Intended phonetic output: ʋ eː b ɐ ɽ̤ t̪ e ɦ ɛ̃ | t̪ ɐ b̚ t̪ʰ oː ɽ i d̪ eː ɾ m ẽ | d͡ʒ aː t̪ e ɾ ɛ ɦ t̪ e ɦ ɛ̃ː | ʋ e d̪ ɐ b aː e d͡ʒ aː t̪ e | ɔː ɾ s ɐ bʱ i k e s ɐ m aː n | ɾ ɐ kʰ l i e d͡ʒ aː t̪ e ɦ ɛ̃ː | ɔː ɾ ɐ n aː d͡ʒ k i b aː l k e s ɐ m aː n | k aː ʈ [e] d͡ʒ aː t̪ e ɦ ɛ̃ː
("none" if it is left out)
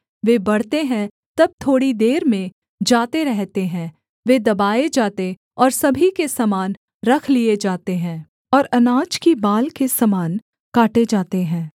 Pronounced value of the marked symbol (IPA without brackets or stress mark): e